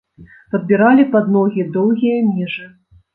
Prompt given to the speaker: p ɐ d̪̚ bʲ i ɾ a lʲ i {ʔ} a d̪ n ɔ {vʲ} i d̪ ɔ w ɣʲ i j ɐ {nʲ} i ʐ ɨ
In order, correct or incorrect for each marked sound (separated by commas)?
incorrect, incorrect, incorrect